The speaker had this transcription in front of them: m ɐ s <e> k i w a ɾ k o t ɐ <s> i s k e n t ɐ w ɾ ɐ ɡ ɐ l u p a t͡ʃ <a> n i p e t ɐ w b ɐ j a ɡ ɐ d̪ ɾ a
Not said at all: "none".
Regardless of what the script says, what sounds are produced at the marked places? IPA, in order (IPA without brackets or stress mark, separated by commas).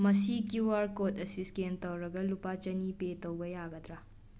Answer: i, s, ɐ